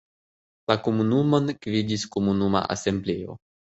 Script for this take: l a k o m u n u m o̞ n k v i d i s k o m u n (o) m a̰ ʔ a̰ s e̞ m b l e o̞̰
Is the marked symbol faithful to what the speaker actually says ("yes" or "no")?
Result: no